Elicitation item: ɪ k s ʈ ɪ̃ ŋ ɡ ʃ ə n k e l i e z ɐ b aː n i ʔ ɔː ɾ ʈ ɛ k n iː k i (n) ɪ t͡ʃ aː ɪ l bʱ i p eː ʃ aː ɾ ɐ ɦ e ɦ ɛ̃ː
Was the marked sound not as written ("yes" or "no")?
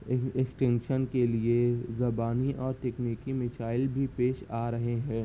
yes